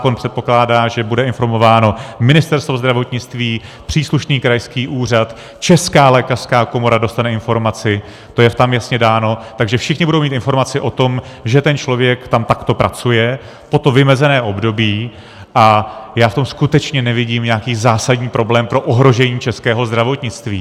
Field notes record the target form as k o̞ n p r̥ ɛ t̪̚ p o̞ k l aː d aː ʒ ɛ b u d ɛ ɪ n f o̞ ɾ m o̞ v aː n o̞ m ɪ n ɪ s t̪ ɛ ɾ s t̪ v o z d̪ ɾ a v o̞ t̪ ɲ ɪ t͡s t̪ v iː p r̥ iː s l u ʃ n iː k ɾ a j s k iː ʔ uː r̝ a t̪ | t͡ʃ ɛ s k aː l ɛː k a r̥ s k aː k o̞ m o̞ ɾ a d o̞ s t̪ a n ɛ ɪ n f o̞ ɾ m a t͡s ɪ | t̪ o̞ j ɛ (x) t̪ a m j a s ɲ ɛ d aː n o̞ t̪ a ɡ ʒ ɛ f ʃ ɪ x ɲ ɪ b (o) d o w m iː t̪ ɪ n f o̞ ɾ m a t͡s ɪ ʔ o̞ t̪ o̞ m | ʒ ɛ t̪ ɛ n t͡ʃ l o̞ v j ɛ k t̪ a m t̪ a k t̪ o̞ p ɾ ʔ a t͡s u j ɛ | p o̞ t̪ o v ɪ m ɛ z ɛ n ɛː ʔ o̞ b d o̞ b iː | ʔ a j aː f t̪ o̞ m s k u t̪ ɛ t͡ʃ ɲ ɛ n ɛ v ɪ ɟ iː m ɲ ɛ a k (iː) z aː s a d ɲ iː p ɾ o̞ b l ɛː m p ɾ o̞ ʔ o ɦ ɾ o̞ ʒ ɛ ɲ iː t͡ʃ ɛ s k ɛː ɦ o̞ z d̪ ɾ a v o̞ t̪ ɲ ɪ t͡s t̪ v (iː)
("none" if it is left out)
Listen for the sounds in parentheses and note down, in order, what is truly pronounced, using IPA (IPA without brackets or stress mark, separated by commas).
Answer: f, u, iː, iː